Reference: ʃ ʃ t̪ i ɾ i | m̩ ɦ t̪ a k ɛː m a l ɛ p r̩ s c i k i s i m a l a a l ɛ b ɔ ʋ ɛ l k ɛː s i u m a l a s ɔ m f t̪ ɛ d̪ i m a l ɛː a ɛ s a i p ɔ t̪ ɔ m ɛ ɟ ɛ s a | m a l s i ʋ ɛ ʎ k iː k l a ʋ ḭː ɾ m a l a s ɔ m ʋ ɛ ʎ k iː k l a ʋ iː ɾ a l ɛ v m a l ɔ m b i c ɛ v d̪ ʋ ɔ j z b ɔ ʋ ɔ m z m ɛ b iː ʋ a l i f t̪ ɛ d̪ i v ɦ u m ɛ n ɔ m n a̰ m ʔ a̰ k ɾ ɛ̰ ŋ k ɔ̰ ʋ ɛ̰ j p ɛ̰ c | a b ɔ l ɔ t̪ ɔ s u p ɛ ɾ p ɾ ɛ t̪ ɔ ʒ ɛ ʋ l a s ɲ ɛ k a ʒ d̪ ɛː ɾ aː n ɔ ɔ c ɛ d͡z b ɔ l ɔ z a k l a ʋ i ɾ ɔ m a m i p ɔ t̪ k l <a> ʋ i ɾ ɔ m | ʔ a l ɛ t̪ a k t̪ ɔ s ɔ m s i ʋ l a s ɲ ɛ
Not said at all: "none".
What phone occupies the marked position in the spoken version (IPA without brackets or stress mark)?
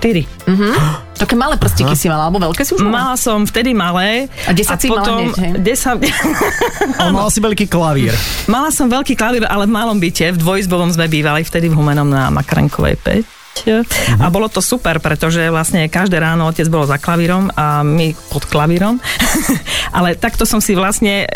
a